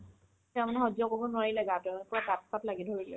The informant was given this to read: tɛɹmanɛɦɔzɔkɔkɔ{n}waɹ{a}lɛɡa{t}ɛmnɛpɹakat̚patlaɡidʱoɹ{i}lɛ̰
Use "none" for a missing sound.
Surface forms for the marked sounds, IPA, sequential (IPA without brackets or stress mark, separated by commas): n, i, t, i